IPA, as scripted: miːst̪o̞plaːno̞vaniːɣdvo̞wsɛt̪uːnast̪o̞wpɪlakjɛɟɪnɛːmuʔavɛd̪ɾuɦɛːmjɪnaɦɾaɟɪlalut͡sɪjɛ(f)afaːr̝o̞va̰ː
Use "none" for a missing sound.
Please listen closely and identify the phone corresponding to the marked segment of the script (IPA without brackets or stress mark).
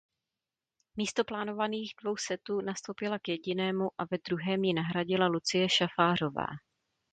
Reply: ʃ